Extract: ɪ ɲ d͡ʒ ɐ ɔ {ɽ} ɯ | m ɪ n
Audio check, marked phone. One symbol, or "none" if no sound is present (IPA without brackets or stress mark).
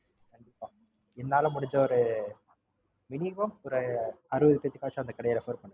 ɾ